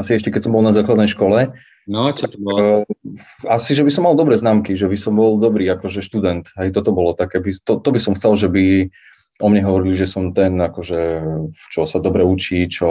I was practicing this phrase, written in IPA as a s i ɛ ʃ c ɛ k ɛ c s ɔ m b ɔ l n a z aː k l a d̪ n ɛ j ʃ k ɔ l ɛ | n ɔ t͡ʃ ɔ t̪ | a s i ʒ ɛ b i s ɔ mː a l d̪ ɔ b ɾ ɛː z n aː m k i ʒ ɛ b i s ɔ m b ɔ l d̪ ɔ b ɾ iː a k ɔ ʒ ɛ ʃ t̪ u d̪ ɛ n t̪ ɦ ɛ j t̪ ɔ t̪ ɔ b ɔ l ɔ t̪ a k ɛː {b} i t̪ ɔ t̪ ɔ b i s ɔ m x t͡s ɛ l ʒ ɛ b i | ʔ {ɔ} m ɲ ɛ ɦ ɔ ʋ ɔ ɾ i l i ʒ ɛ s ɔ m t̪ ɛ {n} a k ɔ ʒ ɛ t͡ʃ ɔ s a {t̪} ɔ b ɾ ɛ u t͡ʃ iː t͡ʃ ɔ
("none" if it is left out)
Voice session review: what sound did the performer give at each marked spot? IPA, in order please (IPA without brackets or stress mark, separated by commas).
b, ɔ, n, d̪